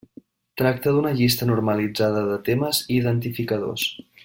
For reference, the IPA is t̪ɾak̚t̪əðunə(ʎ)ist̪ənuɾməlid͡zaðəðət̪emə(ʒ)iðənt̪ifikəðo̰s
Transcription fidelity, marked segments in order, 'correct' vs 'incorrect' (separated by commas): correct, incorrect